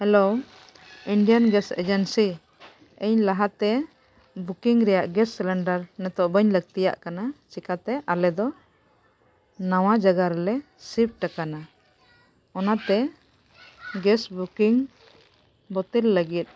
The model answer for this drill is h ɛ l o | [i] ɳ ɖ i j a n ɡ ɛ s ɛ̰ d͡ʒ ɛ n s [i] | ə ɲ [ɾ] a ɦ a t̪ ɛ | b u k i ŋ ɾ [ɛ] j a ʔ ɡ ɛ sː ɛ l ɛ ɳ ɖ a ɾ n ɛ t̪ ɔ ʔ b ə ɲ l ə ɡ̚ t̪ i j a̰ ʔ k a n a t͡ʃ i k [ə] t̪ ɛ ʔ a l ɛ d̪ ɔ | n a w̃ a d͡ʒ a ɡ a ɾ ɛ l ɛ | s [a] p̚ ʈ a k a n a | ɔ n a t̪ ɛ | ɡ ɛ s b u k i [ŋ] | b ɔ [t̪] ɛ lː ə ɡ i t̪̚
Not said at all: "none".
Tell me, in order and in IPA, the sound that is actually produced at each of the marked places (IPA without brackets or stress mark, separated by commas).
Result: i, i, l, ɛ, a, i, ŋ, t̪